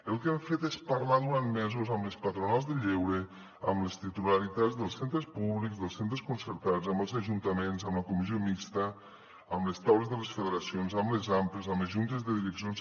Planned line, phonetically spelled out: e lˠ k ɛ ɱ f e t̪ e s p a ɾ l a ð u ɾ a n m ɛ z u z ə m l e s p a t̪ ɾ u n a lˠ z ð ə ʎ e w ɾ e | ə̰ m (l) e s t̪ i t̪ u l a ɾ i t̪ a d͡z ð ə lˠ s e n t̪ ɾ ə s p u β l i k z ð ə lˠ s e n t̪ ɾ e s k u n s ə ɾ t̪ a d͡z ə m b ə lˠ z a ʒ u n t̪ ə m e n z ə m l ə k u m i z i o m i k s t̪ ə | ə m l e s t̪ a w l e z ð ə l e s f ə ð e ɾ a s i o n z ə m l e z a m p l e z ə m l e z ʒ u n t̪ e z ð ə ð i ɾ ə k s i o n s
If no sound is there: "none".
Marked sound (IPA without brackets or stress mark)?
l